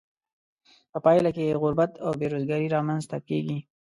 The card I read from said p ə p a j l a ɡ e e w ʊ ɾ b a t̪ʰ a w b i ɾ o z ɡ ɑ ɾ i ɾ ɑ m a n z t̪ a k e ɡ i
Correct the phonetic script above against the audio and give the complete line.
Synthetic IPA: p ə p ɑ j l a k e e ɣ ʊ ɾ b a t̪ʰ a w b e ɾ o z ɡ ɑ ɾ i ɾ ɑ m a n z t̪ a k e ɡ i